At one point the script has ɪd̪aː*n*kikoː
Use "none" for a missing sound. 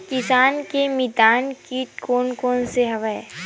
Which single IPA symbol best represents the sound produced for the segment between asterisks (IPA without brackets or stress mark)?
n